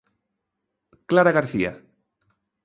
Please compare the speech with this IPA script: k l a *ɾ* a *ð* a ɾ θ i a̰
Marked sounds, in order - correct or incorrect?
correct, incorrect: ɣ

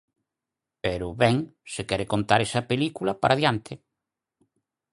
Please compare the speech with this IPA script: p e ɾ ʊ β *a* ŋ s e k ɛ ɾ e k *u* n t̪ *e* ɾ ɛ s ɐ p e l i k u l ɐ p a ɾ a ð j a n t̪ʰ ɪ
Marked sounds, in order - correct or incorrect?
incorrect: ɛ, incorrect: o, incorrect: a

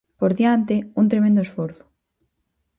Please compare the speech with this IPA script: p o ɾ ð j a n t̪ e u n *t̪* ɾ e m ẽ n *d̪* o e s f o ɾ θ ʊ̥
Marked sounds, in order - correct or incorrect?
correct, correct

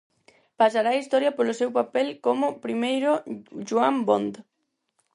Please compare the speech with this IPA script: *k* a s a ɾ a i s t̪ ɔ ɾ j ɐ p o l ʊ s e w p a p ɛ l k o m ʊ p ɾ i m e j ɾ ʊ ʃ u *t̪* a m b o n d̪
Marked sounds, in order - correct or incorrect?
incorrect: p, incorrect: none

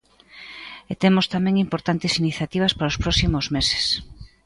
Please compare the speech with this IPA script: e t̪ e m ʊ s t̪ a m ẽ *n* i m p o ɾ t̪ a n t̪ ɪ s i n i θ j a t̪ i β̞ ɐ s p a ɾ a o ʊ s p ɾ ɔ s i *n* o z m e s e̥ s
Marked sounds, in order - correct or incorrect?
incorrect: ŋ, incorrect: m

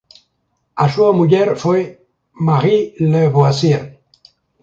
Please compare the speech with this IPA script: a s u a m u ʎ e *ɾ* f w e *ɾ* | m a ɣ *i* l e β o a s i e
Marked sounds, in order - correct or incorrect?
correct, incorrect: none, correct

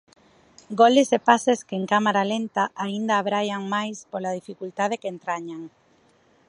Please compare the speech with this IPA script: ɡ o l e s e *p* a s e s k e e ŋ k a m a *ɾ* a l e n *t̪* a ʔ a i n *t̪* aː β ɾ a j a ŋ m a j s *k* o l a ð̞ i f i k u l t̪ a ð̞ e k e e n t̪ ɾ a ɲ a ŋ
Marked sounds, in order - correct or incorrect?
correct, correct, correct, incorrect: d̪, incorrect: p

